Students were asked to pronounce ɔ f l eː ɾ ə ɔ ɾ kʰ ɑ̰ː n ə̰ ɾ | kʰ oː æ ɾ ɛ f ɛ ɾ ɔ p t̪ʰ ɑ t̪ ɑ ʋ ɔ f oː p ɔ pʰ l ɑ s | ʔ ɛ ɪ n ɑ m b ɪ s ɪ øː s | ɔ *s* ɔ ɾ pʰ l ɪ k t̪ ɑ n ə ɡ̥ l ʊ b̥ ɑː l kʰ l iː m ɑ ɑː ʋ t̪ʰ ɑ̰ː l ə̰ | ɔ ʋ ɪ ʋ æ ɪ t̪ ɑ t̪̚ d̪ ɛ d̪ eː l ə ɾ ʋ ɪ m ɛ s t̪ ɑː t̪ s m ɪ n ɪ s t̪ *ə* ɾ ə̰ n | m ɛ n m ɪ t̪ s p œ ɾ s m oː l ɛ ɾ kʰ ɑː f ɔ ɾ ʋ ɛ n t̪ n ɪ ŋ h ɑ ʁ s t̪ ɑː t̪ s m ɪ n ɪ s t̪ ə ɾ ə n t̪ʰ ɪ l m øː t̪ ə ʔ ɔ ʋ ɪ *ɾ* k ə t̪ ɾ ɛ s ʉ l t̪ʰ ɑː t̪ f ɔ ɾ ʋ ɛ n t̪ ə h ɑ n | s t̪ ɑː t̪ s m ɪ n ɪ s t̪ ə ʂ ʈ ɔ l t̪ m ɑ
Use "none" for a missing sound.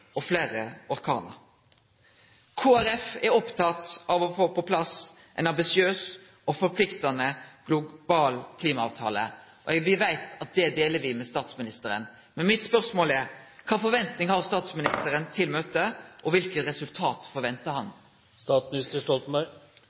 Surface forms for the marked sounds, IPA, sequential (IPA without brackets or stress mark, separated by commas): f, ə, l